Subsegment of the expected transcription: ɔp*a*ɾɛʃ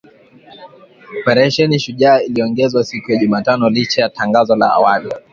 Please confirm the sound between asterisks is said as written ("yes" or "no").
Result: no